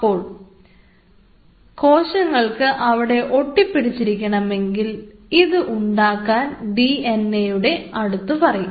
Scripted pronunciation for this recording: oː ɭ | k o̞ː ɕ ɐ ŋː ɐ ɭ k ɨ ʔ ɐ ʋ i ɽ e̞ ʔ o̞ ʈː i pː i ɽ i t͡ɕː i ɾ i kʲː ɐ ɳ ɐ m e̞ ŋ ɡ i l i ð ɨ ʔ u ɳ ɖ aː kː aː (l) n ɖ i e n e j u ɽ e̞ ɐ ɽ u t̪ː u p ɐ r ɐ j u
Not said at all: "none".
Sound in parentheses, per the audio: none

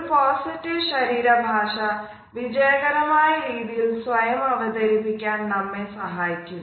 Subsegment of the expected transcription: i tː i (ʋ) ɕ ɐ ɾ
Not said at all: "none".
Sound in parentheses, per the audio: ʋ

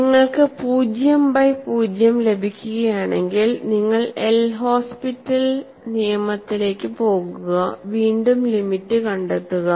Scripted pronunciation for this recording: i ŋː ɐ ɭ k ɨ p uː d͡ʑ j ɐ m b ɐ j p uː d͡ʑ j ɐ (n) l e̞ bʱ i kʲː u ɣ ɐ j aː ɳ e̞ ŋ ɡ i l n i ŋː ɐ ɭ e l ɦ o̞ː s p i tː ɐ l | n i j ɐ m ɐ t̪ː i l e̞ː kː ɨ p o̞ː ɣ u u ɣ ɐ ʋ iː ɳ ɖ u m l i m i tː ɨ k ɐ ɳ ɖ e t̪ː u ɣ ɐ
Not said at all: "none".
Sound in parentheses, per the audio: m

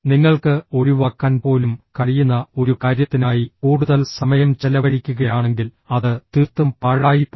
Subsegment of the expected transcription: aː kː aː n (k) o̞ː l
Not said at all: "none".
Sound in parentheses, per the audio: p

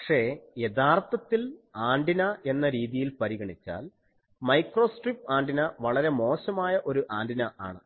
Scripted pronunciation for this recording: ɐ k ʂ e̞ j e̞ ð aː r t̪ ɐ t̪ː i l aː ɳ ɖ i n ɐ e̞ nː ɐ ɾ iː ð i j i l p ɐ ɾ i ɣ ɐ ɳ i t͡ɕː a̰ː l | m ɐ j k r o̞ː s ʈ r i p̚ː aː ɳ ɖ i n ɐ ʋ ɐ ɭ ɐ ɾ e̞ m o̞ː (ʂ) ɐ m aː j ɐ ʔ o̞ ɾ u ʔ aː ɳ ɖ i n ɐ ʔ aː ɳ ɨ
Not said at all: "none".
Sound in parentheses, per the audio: ɕ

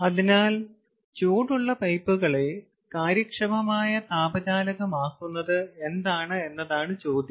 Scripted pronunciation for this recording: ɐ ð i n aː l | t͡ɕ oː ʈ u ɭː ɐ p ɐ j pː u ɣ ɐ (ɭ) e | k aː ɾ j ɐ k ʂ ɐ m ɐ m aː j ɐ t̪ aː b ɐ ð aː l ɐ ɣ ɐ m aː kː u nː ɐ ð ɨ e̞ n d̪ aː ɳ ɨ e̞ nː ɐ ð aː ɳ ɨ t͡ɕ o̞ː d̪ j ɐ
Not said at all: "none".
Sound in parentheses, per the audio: ɭ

